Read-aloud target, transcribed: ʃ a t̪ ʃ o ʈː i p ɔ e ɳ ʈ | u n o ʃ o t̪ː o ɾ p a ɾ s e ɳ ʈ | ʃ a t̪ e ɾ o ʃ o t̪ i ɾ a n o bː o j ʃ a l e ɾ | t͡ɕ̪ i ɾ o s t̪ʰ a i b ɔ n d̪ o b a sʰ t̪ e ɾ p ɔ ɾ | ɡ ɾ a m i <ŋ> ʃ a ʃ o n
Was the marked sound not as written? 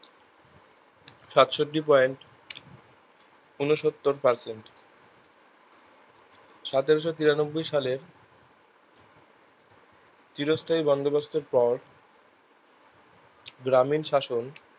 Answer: yes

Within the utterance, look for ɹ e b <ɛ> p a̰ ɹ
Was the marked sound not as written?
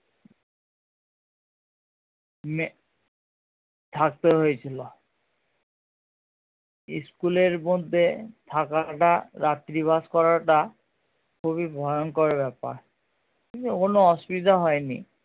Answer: no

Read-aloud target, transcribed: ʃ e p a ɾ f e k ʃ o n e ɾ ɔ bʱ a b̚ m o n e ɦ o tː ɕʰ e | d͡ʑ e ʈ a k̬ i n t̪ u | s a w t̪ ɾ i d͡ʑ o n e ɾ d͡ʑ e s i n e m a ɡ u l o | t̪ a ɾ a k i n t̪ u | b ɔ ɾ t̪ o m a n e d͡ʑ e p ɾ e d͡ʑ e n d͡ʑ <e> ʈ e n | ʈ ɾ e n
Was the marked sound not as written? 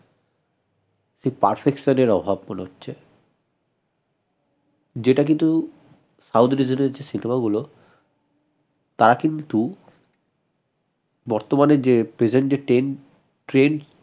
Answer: no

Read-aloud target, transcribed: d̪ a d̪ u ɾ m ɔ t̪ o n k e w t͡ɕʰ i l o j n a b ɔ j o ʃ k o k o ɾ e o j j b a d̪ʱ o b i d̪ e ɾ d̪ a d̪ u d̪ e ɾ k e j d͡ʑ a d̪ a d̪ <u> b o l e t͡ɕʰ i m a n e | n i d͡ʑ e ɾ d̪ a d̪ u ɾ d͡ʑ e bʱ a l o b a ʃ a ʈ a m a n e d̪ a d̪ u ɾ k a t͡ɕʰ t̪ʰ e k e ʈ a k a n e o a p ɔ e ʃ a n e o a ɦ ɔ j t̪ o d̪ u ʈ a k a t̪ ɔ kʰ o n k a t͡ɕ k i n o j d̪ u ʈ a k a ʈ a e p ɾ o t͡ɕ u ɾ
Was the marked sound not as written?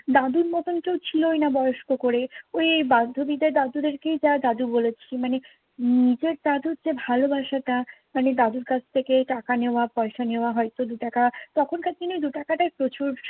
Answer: no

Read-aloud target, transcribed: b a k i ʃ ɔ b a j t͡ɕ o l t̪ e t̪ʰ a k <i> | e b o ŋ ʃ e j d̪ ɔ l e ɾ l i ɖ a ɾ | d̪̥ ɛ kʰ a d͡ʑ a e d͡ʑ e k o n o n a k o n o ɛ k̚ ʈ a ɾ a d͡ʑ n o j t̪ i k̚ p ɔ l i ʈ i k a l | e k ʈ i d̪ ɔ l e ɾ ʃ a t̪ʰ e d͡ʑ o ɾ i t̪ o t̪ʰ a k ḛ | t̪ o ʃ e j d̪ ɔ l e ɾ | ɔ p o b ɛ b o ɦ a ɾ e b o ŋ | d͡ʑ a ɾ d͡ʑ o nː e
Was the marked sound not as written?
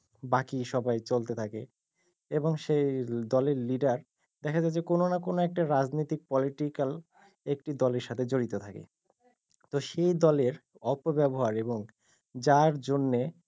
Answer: yes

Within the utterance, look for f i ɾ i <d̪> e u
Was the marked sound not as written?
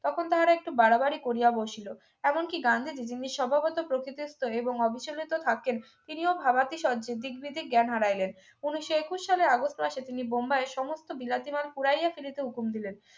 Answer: yes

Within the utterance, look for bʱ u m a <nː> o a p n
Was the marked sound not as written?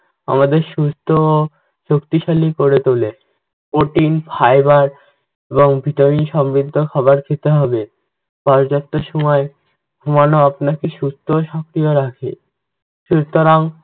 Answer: yes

